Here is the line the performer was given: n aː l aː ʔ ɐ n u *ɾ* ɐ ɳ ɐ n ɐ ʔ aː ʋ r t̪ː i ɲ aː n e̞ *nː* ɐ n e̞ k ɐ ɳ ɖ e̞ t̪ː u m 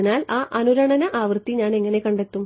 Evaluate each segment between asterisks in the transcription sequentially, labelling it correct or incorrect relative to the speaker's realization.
correct, incorrect: ŋː

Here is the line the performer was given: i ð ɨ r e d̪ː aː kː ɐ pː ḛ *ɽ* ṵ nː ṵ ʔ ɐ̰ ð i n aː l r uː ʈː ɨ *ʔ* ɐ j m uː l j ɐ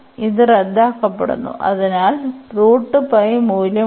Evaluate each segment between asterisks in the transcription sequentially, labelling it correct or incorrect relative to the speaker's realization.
correct, incorrect: p

